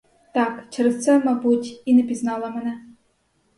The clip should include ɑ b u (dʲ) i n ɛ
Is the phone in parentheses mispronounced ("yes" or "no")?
yes